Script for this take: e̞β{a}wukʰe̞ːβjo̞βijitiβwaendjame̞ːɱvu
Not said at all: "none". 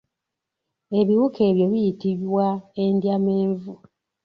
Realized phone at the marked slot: i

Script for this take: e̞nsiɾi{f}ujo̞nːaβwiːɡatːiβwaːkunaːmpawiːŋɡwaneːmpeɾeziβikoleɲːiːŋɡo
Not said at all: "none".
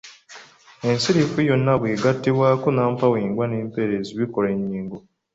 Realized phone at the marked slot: f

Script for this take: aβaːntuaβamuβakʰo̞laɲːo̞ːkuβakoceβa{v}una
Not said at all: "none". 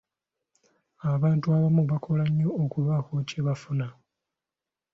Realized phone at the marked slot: f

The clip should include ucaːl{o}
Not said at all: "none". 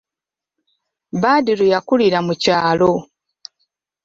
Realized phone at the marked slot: o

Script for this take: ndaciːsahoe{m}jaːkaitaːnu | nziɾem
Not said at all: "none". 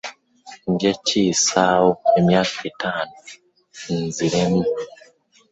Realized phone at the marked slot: m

